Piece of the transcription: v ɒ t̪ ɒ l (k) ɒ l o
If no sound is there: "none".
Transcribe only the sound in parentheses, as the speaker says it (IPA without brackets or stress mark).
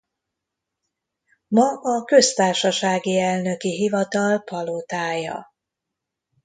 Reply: p